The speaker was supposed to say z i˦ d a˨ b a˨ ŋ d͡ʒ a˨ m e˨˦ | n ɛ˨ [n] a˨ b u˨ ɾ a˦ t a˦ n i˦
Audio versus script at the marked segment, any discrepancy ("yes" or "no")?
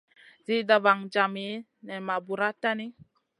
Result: yes